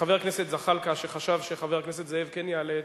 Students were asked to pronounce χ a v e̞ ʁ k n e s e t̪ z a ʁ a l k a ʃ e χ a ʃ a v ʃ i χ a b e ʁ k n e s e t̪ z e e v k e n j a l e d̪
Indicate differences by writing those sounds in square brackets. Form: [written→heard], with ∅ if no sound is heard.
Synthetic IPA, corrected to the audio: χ a v e̞ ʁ k n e s e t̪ z a [ʁ→χ] a l k a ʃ e χ a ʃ a v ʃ [i→e] χ a [b→v] e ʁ k n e s e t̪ z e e v k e n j a l e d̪